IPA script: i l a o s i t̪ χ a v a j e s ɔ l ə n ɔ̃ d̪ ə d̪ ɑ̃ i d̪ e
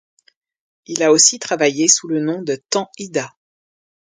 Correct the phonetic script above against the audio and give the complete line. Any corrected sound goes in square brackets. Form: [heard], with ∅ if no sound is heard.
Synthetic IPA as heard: i l a o s i t̪ χ a v a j e s [u] l ə n ɔ̃ d̪ ə [t̪] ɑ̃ i d̪ [a]